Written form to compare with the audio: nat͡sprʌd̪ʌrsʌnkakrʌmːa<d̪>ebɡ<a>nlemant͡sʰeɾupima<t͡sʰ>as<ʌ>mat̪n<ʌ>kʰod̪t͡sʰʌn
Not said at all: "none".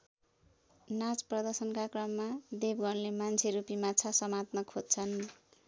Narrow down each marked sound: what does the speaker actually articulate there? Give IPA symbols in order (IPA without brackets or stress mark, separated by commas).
d̪, ʌ, t͡sʰ, ʌ, ʌ